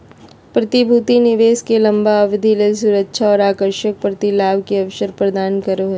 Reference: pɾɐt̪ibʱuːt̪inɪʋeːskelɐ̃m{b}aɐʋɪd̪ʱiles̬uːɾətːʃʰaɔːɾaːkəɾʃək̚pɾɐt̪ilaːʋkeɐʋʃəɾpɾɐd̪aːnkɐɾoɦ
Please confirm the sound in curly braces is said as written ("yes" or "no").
yes